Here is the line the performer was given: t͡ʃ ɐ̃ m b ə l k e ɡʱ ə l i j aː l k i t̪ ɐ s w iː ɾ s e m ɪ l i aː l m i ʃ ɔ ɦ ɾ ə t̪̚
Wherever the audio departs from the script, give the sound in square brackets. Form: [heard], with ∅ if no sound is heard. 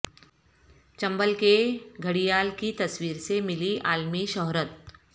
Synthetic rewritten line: t͡ʃ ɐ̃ m b ə l k e ɡʱ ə [ɽ] i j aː l k i t̪ ɐ s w iː ɾ s e m ɪ l i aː l m i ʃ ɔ ɦ ɾ ə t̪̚